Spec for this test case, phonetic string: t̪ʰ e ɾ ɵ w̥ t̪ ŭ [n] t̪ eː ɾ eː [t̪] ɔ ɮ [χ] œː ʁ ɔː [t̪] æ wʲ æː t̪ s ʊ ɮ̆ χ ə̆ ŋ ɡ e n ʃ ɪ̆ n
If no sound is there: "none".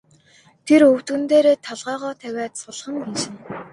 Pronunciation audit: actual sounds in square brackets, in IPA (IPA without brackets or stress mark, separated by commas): n, t̪ʰ, ʁ, t̪ʰ